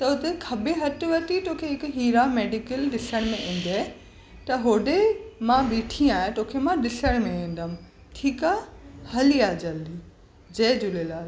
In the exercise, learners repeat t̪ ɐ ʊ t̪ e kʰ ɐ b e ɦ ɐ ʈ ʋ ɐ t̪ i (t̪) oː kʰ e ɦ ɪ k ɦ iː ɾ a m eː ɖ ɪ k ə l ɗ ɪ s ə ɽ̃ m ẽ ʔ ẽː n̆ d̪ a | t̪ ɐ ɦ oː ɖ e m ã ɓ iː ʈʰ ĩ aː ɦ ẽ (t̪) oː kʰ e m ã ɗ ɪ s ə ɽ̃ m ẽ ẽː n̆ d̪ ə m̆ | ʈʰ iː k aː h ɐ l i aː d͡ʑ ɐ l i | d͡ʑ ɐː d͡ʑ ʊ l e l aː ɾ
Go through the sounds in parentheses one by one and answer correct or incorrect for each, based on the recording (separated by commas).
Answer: correct, correct